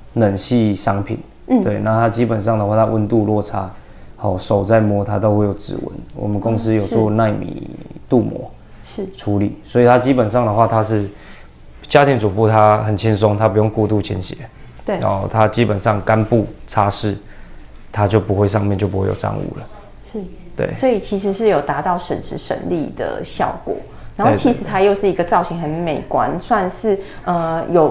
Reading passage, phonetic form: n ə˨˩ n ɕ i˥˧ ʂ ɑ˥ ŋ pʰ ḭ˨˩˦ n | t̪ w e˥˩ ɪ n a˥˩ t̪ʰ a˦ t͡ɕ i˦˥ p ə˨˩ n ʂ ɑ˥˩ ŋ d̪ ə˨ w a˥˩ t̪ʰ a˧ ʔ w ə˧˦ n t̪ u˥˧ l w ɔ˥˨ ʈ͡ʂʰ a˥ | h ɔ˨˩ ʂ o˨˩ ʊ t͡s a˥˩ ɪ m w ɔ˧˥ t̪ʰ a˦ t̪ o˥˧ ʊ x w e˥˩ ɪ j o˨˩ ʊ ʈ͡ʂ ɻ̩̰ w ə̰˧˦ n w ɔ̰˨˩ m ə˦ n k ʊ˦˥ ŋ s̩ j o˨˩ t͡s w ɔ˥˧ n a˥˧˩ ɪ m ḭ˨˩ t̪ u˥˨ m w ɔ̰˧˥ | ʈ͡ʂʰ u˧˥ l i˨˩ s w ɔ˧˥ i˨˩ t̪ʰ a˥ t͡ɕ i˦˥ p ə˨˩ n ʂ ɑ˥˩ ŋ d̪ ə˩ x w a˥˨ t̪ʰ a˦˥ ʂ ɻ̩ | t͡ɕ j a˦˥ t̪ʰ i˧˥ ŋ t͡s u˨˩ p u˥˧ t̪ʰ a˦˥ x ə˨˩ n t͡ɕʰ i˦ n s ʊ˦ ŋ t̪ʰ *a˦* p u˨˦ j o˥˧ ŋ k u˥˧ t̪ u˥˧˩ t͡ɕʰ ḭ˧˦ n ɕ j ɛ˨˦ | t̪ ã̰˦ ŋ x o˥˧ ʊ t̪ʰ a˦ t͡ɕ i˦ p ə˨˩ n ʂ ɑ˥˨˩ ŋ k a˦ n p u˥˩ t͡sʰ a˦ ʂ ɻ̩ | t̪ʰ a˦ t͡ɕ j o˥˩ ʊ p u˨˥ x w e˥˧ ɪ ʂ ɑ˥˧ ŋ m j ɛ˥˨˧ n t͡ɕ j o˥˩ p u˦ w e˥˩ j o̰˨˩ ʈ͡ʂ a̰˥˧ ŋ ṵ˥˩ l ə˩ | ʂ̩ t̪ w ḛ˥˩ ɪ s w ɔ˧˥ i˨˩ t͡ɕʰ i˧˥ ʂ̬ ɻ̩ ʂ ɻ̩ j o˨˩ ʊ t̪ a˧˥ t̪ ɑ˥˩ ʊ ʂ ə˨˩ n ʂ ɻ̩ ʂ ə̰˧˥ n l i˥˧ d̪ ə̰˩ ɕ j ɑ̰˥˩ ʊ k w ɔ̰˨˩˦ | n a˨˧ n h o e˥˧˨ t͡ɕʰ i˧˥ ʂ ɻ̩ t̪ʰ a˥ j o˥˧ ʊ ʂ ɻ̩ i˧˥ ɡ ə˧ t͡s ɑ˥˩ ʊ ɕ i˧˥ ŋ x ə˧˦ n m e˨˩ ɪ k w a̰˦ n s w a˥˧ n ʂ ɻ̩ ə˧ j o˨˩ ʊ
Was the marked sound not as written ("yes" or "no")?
no